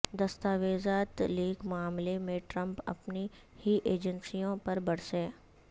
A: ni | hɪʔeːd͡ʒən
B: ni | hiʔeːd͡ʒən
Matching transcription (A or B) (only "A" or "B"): B